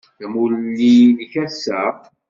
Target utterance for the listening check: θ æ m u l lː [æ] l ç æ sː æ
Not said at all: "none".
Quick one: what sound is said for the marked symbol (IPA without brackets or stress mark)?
i